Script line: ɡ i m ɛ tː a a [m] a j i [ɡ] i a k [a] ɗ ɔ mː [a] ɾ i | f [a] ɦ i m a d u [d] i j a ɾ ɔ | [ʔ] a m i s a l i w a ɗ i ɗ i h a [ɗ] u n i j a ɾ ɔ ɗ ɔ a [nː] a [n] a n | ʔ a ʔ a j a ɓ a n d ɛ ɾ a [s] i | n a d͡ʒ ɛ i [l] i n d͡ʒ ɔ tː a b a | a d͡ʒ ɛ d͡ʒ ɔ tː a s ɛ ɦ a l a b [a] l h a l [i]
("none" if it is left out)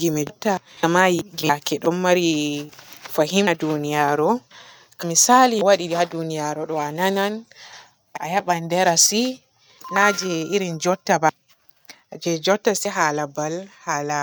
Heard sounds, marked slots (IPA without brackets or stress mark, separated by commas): m, ɡ, ɛ, a, a, n, k, d, n, n, s, ɾ, a, a